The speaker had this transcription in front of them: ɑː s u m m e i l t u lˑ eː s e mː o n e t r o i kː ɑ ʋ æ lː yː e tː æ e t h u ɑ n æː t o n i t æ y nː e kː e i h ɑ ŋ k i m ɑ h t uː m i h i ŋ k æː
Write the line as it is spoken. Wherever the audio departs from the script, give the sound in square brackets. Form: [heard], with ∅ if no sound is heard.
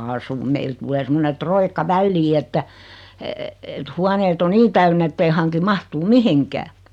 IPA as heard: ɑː s u m m e i l t u lˑ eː s e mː o n e t r o i kː ɑ ʋ æ lː [iː] e tː æ e t h u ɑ n [eː] t o n [iː] t æ y nː e [tː] e i h ɑ ŋ k i m ɑ h t uː m i h i ŋ k æː